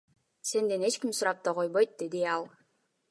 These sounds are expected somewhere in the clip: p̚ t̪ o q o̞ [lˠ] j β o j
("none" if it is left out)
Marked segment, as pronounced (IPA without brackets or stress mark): none